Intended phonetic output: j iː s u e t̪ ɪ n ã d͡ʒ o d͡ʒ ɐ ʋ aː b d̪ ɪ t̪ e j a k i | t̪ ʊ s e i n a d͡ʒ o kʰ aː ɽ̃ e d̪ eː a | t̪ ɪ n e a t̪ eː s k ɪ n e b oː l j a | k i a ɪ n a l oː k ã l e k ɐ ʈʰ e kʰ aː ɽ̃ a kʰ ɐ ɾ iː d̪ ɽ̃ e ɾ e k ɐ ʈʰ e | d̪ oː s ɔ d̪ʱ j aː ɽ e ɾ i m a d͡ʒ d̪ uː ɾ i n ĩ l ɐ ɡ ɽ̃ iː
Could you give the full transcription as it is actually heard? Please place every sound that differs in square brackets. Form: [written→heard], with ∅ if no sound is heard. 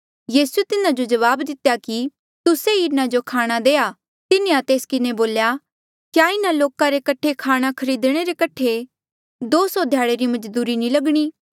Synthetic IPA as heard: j iː s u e t̪ ɪ n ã d͡ʒ o d͡ʒ ɐ ʋ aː b d̪ ɪ t̪ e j a k i | t̪ ʊ s e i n a d͡ʒ o kʰ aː ɽ̃ [e→a] d̪ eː a | t̪ ɪ n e a t̪ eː s k ɪ n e b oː l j a | k [i→j] a ɪ n a l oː k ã [l→ɾ] e k ɐ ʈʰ e kʰ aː ɽ̃ a kʰ ɐ ɾ iː d̪ ɽ̃ e ɾ e k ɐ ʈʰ e | d̪ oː s ɔ d̪ʱ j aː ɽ e ɾ i m [a→ɐ] d͡ʒ d̪ uː ɾ i n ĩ l ɐ ɡ ɽ̃ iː